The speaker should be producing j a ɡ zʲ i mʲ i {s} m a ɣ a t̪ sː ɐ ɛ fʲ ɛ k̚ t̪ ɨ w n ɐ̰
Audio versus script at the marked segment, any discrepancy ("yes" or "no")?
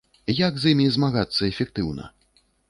yes